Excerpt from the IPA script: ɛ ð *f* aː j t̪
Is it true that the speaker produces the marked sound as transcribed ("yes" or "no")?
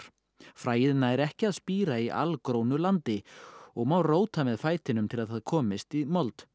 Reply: yes